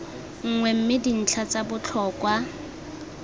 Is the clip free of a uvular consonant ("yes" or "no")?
yes